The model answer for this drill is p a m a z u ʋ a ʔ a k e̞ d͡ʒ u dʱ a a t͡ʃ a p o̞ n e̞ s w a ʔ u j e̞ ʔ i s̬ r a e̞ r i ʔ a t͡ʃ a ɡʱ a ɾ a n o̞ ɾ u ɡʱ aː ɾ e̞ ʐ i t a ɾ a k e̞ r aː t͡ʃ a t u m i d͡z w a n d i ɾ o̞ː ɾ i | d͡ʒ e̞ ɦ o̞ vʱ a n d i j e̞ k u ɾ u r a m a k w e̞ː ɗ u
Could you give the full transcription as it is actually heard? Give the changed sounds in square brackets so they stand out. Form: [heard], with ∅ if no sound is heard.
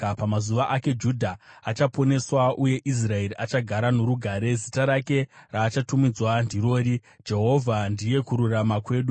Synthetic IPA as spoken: p a m a z u ʋ a ʔ a k e̞ d͡ʒ u dʱ a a t͡ʃ a p o̞ n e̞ s w a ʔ u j e̞ ʔ i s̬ r a e̞ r i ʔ a t͡ʃ a ɡʱ a ɾ a n o̞ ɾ u ɡʱ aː ɾ e̞ [z] i t a ɾ a k e̞ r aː t͡ʃ a t u m i d͡z w a n d i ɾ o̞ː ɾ i | d͡ʒ e̞ ɦ o̞ vʱ a n d i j e̞ k u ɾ u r a m a k w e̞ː ɗ u